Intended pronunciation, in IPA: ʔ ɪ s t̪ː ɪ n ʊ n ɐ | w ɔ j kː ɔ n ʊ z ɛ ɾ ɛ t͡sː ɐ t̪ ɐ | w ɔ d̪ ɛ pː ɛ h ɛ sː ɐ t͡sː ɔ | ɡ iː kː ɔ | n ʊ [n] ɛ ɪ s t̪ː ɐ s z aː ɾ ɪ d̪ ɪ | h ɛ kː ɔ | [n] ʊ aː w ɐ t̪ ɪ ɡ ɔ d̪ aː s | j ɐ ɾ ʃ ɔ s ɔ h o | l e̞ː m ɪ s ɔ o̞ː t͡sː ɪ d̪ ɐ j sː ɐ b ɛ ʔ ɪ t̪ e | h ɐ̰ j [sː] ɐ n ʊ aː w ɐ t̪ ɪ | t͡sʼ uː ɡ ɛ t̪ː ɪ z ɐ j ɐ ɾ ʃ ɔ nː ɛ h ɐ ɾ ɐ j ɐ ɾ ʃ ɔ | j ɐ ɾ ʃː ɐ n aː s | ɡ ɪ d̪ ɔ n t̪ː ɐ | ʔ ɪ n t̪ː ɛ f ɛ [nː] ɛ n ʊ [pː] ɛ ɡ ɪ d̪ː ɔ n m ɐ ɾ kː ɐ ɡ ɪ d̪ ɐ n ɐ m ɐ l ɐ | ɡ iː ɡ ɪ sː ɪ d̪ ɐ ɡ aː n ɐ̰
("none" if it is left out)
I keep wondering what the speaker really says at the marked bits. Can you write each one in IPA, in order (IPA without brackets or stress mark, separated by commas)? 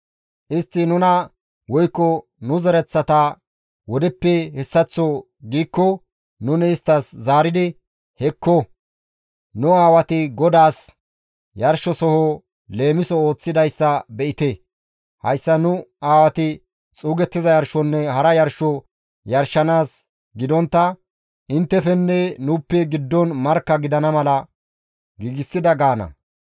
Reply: n, n, sː, nː, pː